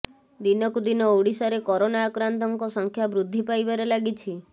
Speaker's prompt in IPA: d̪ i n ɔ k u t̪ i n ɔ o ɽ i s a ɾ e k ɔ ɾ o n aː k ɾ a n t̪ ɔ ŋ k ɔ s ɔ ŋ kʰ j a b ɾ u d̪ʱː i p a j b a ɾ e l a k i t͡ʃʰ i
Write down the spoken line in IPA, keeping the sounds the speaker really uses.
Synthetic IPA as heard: d̪ i n ɔ k u d̪ i n ɔ o ɽ i s a ɾ e k ɔ ɾ o n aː k ɾ a n t̪ ɔ ŋ k ɔ s ɔ ŋ kʰ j a b ɾ u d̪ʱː i p a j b a ɾ e l a ɡ i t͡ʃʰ i